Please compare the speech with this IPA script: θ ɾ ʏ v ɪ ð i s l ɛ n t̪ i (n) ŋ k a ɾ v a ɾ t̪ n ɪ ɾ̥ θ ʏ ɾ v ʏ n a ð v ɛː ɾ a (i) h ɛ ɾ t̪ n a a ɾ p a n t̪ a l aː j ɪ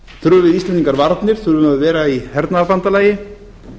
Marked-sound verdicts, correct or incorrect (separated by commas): incorrect, correct